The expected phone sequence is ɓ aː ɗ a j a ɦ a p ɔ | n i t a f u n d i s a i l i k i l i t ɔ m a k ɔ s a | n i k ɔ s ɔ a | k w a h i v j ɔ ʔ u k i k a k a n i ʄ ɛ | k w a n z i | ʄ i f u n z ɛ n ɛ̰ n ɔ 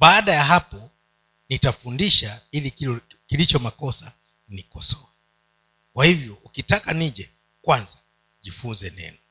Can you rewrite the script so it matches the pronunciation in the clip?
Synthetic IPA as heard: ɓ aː ɗ a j a ɦ a p ɔ | n i t a f u n d i ʃ a i l i k i l i t͡ʃ ɔ m a k ɔ s a | n i k ɔ s ɔ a | k w a h i v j ɔ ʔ u k i t a k a n i ʄ ɛ | k w a n z a | ʄ i f u n z ɛ n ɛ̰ n ɔ